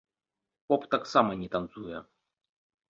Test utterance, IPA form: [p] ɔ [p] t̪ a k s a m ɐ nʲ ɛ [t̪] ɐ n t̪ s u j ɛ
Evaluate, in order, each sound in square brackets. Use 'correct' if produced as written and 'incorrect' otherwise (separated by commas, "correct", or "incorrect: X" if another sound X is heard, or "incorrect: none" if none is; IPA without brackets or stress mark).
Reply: correct, correct, correct